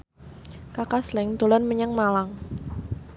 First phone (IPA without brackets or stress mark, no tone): k